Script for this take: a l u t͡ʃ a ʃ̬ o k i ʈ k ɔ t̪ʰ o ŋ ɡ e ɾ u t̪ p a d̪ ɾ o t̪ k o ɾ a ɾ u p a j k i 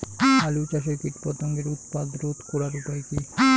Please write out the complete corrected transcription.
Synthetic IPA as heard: a l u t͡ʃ a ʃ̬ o k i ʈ p ɔ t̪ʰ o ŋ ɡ e ɾ u t̪ p a d̪ ɾ o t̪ k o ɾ a ɾ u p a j k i